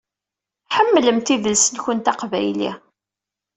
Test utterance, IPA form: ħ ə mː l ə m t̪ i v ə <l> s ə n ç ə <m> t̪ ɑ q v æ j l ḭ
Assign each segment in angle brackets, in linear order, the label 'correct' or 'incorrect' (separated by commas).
correct, incorrect